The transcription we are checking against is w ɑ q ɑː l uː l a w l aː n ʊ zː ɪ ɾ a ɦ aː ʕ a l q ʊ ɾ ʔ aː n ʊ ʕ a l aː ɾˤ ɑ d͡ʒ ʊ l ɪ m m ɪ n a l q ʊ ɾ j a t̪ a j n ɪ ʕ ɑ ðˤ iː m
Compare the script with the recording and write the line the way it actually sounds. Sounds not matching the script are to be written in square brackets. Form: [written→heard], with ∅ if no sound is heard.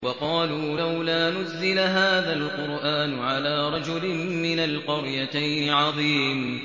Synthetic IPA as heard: w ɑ q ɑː l uː l a w l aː n ʊ zː ɪ [ɾ→l] a ɦ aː [ʕ→ð] a l q ʊ ɾ ʔ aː n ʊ ʕ a l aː ɾˤ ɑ d͡ʒ ʊ l ɪ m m ɪ n a l q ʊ ɾ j a t̪ a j n ɪ ʕ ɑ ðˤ iː m